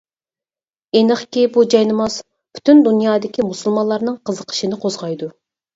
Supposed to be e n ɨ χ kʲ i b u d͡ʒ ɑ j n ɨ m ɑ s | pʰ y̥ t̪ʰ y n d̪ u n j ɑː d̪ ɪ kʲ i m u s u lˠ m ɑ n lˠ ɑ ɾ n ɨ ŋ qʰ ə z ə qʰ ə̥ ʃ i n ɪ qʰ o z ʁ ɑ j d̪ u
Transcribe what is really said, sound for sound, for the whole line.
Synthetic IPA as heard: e n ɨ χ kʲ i b u d͡ʒ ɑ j n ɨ m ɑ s | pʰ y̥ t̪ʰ y n d̪ u n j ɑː d̪ ɪ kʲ i m u s u lˠ m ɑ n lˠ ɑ ɾ n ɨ ŋ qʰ ə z ə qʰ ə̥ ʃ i n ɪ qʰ o z ʁ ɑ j d̪ u